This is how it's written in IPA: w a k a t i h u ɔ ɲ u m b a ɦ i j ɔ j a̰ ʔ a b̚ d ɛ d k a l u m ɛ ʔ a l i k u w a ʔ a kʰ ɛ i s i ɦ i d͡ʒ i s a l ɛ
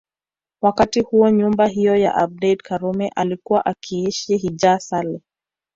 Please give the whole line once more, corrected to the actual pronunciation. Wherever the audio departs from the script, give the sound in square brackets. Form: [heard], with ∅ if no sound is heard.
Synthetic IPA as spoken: w a k a t i h u ɔ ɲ u m b a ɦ i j ɔ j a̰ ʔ a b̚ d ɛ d k a [ɾ] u m ɛ ʔ a l i k u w a ʔ a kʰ [i] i [ʃ] i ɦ i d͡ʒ [a] s a l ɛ